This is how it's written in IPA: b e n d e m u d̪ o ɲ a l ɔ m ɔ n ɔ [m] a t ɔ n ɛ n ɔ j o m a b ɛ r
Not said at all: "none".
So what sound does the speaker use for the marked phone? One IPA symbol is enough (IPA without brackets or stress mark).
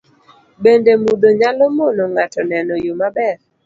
ŋ